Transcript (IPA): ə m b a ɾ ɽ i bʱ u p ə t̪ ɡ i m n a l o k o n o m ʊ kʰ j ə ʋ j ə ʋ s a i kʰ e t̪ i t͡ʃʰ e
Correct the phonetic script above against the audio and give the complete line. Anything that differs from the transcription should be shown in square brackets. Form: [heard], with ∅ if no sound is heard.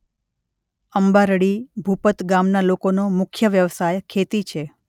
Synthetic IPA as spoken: ə m b a ɾ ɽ i bʱ u p ə t̪ ɡ [a] m n a l o k o n o m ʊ kʰ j ə ʋ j ə ʋ s a [j] kʰ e t̪ i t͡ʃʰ e